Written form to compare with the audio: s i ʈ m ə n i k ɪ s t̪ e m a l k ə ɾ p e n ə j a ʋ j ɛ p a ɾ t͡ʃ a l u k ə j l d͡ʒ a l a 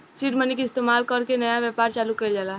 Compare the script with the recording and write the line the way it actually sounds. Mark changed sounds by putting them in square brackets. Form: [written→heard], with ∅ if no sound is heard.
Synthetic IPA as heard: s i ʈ m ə n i k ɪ s t̪ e m a l k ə ɾ [p→k] e n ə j a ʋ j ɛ p a ɾ t͡ʃ a l u k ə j l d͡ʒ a l a